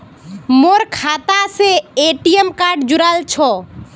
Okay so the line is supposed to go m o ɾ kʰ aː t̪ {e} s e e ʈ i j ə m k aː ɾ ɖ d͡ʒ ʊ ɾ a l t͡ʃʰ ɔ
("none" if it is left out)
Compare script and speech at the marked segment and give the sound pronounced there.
a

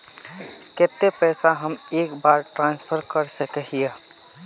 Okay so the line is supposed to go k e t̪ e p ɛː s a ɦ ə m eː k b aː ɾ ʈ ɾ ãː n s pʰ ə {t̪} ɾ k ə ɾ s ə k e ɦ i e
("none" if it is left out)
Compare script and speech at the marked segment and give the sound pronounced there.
none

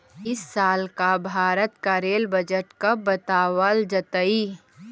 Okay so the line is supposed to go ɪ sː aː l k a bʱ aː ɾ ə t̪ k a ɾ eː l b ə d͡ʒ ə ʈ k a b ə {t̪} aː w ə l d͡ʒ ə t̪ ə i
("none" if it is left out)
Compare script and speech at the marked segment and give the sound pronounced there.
t̪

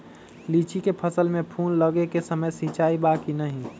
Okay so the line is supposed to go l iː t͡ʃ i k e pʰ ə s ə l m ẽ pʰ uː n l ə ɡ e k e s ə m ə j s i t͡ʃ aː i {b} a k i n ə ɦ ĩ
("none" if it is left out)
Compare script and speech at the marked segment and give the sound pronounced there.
b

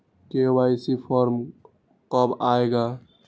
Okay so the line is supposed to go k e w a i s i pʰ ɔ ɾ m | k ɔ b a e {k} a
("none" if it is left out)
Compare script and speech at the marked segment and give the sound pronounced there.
ɡ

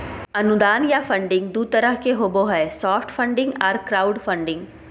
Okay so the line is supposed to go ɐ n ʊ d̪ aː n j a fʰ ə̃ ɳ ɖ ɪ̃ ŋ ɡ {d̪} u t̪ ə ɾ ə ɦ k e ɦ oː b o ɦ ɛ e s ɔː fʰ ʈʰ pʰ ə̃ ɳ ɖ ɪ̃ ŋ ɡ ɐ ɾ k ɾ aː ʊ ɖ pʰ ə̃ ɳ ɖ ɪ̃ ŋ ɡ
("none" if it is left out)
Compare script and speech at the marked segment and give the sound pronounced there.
d̪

